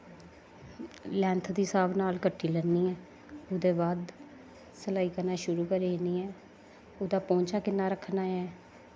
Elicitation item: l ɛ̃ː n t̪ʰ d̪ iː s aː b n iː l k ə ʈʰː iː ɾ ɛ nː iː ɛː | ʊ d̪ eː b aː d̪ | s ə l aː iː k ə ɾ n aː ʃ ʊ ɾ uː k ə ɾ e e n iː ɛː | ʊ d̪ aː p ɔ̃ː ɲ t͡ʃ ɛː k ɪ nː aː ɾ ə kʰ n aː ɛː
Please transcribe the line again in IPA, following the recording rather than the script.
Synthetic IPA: l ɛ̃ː n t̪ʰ d̪ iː s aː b n aː l k ə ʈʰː iː l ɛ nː iː ɛː | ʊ d̪ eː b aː d̪ | s ə l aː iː k ə ɾ n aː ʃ ʊ ɾ uː k ə ɾ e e n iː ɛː | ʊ d̪ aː p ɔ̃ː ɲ t͡ʃ aː k ɪ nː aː ɾ ə kʰ n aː ɛː